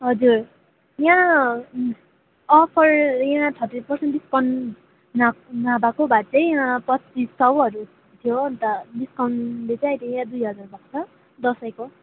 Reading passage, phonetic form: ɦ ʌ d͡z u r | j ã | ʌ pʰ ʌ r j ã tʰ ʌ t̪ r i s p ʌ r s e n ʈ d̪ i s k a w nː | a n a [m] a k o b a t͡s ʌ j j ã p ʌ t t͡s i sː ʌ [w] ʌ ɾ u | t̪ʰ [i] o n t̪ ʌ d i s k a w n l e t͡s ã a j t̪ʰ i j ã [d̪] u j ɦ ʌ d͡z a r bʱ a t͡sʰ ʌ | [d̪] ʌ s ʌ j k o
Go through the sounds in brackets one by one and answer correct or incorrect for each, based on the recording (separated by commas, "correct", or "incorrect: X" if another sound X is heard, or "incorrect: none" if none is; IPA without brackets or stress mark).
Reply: incorrect: b, correct, incorrect: j, correct, correct